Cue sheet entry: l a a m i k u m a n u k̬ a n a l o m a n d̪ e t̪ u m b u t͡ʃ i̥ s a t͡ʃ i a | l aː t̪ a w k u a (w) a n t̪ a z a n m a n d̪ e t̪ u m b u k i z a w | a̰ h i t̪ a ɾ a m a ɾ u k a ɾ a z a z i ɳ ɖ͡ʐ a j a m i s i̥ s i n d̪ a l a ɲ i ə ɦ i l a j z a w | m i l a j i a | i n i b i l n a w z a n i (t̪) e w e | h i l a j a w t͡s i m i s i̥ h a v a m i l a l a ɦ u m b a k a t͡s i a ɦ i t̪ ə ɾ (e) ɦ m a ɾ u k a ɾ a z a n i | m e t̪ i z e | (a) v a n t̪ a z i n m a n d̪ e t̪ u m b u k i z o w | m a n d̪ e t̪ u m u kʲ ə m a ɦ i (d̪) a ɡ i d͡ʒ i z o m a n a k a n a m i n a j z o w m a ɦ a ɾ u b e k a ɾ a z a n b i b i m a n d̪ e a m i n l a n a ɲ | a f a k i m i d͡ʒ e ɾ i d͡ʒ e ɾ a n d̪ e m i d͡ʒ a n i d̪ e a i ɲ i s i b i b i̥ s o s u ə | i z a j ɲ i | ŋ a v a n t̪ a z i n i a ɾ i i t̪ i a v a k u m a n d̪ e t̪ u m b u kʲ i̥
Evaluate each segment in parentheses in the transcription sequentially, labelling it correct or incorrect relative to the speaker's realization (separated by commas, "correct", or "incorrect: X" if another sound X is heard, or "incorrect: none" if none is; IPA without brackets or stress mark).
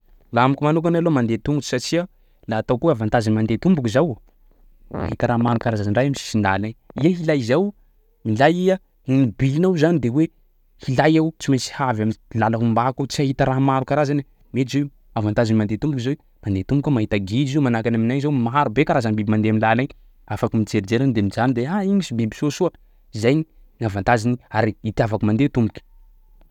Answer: incorrect: v, incorrect: d̪, incorrect: a, correct, incorrect: t̪